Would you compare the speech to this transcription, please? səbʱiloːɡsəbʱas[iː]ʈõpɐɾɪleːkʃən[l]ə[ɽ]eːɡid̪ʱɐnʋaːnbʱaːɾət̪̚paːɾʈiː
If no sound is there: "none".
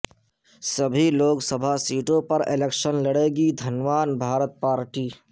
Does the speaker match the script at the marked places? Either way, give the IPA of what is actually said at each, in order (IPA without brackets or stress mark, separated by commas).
iː, l, ɽ